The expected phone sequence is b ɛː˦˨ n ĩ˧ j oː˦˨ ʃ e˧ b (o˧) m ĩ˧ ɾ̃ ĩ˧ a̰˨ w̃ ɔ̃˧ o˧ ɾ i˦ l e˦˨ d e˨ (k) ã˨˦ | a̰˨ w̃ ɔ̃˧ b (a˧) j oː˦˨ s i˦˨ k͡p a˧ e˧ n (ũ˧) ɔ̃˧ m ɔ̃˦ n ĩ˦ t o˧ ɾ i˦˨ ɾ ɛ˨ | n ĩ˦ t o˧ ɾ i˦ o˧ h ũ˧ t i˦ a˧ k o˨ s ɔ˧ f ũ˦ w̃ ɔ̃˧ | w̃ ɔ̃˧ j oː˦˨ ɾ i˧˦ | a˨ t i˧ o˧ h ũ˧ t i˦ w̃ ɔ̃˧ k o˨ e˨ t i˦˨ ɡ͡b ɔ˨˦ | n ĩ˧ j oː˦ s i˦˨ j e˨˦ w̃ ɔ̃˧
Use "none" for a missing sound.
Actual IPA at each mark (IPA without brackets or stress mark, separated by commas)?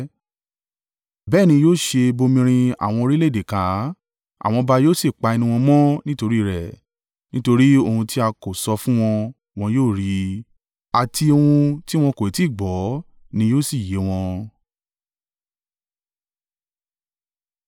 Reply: o˧, k, a˧, ũ˧